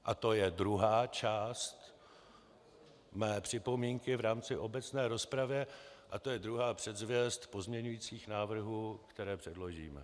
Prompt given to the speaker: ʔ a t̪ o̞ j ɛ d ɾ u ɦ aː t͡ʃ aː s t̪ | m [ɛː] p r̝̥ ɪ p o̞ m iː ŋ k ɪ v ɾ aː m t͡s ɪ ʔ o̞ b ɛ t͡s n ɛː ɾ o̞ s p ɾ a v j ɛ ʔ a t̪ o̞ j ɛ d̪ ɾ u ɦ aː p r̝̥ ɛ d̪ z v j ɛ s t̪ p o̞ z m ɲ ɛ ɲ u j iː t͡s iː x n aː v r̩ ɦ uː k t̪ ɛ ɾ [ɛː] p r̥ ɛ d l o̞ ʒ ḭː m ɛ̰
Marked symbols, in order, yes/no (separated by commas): yes, yes